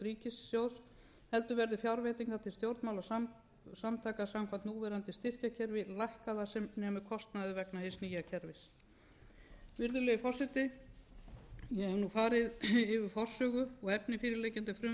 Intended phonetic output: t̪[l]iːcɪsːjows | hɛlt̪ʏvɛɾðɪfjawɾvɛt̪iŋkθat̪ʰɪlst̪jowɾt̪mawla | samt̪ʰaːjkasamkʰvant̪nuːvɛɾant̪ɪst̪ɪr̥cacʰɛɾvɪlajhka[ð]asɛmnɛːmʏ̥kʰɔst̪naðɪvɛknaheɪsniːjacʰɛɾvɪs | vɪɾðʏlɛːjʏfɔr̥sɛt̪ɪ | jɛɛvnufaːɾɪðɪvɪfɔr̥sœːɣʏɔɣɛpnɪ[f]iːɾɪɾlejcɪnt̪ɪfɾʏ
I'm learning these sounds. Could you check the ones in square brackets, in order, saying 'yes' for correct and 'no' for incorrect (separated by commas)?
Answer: no, yes, yes